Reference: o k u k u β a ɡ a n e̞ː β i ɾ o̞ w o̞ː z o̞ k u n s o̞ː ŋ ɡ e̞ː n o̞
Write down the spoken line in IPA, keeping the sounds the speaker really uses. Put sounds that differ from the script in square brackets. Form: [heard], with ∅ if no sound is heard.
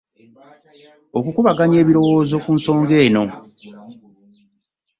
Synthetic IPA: o k u k u β a ɡ a [ɲ] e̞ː β i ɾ o̞ w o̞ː z o̞ k u n s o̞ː ŋ ɡ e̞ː n o̞

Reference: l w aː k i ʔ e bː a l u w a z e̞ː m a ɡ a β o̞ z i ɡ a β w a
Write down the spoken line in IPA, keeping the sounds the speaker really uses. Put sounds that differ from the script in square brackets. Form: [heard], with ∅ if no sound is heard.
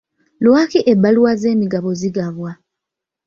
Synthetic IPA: l w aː k i ʔ e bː a l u w a z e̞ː m [i] ɡ a β o̞ z i ɡ a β w a

